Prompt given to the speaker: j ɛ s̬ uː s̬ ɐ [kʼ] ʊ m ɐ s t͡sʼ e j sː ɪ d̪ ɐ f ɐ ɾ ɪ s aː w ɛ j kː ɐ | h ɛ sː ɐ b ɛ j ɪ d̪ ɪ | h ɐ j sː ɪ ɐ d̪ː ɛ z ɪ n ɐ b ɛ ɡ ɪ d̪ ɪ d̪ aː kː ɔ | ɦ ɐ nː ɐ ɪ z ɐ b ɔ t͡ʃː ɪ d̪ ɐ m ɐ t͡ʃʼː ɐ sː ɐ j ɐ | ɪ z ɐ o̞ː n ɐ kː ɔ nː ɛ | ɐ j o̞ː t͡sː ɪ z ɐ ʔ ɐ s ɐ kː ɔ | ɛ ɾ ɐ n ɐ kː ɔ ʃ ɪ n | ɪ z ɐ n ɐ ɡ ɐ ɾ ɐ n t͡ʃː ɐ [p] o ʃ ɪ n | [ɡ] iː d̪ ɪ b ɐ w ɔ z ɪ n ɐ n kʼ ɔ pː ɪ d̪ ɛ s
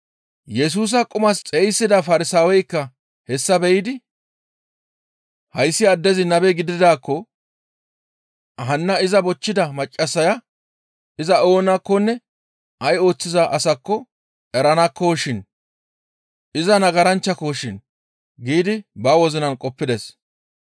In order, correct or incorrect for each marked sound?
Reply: correct, incorrect, correct

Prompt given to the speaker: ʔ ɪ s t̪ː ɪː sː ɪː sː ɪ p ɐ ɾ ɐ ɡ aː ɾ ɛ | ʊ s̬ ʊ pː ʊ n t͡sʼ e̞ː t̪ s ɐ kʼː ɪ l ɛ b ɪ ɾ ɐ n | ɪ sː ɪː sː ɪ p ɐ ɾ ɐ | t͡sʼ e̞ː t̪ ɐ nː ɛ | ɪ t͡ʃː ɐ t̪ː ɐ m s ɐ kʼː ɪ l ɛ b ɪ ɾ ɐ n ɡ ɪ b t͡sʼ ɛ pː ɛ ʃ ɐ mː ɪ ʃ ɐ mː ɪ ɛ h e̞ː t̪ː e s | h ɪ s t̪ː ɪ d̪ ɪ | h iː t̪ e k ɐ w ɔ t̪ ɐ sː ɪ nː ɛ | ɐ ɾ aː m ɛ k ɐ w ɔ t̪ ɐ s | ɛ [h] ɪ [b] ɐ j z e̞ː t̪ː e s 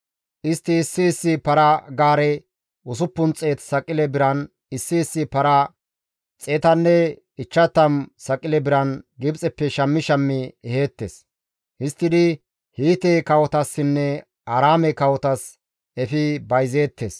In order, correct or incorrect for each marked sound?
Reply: incorrect, correct

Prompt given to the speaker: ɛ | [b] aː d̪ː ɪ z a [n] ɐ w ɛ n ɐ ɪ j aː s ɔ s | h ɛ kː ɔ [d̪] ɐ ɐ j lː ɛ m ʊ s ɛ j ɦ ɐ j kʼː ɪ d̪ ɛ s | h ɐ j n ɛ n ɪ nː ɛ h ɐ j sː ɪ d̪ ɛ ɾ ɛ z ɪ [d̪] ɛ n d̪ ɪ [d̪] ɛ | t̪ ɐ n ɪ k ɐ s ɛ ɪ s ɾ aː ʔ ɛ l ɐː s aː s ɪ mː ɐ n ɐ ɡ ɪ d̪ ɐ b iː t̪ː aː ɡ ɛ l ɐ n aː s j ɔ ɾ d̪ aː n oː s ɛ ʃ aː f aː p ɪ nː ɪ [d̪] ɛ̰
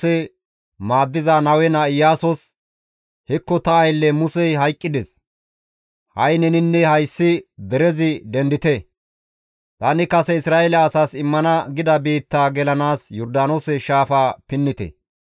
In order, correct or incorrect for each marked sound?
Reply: incorrect, correct, incorrect, correct, incorrect, incorrect

